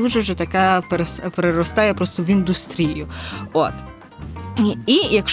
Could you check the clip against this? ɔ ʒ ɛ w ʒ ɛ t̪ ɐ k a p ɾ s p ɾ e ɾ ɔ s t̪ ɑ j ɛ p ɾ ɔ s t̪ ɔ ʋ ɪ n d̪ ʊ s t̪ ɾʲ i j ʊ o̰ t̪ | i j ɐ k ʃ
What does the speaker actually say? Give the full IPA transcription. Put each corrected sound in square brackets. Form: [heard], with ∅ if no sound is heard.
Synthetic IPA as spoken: [u] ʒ ɛ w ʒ ɛ t̪ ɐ k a p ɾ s p ɾ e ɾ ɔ s t̪ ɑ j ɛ p ɾ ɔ s t̪ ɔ ʋ [i] n d̪ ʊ s t̪ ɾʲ i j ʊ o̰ t̪ | i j ɐ k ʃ